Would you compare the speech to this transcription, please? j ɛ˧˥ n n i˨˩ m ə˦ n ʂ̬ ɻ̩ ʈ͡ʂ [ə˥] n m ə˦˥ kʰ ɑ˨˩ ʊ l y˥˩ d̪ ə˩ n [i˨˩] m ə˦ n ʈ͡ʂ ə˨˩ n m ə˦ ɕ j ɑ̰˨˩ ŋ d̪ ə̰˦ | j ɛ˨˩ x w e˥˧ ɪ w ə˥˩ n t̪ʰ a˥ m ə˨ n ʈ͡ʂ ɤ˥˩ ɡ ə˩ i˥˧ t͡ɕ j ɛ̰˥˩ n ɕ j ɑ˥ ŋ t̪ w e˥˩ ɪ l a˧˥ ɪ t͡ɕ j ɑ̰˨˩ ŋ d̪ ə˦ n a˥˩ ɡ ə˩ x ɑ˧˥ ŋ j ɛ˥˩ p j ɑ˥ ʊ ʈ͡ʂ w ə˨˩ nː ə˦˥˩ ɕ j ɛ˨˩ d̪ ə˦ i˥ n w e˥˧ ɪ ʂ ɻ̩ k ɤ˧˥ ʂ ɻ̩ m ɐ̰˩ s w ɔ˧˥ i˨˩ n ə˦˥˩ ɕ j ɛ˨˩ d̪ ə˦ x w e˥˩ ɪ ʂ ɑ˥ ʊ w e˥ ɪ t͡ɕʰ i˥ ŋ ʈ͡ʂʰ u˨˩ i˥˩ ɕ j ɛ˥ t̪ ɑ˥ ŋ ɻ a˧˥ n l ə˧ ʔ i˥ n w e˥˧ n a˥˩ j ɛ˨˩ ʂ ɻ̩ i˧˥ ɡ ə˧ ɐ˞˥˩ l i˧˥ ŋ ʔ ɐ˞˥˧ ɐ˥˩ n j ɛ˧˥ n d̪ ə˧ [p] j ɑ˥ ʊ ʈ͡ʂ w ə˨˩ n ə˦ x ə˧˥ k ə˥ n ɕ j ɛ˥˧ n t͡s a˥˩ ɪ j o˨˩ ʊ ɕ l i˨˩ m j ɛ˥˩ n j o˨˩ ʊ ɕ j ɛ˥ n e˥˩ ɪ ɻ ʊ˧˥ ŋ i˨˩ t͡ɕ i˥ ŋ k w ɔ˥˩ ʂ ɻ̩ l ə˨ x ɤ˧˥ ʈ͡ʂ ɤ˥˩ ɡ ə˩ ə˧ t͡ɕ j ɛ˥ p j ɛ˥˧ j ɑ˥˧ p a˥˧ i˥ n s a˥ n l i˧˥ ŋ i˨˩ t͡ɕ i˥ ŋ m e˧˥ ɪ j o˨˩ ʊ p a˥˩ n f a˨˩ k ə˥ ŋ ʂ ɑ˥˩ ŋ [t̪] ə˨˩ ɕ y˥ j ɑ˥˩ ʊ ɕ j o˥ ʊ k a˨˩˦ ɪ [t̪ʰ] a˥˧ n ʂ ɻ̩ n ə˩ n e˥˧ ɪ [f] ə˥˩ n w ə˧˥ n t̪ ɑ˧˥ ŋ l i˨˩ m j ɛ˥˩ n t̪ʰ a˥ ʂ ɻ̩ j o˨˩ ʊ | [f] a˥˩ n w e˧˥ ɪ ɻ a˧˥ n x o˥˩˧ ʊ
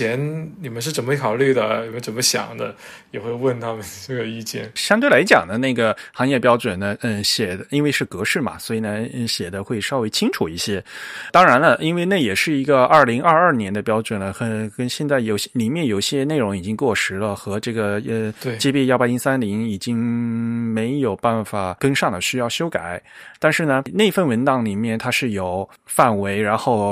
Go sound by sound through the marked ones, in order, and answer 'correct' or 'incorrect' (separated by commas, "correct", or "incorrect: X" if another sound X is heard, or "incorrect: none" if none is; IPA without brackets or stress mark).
incorrect: ə˨˩, correct, correct, incorrect: d̪, incorrect: t̪, correct, correct